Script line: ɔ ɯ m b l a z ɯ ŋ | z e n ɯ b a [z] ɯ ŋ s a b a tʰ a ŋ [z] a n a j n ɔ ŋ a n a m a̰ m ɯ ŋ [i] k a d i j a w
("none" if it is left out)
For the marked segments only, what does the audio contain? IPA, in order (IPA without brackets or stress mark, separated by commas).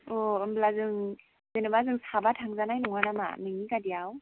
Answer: z, z, i